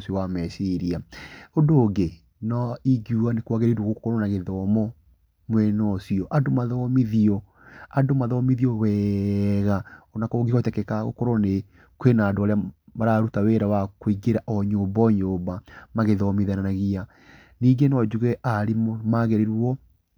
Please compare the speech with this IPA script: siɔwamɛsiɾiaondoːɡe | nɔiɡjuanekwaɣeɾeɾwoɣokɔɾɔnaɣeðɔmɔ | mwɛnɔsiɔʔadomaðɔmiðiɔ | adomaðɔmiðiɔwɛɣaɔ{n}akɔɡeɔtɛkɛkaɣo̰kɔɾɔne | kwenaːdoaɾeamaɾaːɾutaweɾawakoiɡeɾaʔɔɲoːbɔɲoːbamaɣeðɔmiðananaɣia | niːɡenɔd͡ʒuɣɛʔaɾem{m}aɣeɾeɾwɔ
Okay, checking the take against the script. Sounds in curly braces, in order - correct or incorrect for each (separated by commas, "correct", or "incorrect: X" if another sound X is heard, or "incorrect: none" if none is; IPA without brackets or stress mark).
correct, correct